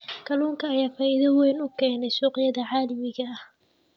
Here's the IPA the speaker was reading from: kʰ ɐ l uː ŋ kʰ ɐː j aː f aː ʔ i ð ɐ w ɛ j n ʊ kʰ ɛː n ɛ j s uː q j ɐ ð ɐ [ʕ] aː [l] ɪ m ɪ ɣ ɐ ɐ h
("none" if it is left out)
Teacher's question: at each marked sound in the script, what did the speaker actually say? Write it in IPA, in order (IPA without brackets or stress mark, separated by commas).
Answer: ʕ, l